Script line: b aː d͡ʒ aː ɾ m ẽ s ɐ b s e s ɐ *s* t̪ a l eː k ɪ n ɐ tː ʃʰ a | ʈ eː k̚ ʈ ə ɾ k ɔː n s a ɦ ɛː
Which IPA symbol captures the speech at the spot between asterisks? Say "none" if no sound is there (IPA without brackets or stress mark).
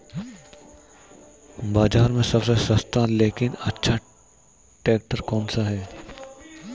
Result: s